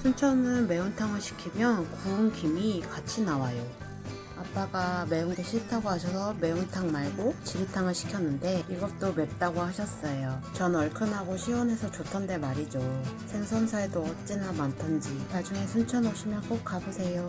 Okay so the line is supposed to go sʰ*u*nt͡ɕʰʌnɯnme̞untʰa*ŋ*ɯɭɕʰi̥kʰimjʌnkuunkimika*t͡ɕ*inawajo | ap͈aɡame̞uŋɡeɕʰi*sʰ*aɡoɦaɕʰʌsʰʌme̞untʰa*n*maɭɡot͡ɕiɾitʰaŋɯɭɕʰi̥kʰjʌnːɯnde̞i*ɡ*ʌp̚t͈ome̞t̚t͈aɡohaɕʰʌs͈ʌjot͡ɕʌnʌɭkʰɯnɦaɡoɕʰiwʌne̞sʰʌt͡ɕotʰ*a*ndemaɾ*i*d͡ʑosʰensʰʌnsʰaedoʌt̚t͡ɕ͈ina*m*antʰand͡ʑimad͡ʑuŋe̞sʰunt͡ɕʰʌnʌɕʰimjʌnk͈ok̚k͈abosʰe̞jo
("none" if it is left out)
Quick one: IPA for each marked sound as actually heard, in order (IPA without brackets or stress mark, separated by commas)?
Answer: u, ŋ, t͡ɕʰ, tʰ, ŋ, ɡ, ʌ, i, m